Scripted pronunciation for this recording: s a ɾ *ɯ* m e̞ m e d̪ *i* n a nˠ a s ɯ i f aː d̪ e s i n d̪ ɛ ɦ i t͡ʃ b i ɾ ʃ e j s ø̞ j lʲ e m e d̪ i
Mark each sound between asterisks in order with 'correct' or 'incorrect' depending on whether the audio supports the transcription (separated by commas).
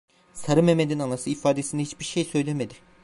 correct, correct